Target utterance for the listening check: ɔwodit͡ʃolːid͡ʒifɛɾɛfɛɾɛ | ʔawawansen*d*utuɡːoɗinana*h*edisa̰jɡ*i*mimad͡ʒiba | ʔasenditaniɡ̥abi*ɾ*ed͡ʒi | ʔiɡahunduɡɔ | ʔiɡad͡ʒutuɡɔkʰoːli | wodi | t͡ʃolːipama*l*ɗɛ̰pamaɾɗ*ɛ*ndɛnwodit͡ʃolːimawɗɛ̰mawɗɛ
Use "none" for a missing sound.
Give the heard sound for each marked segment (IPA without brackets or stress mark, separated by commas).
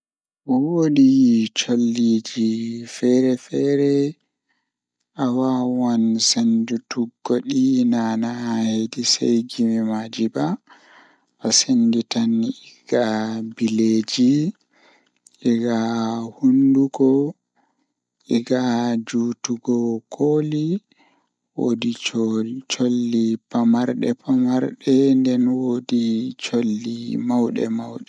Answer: d͡ʒ, h, i, l, ɾ, ɛ